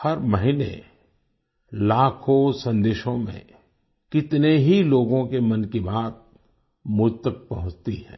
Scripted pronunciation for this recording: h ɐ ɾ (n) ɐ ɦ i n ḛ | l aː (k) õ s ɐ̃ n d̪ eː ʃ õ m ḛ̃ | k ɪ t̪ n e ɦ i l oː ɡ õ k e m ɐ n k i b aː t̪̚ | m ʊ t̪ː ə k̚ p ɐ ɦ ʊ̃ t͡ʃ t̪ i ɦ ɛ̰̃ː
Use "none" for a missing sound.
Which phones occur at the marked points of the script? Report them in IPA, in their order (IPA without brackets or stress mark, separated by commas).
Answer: m, kʰ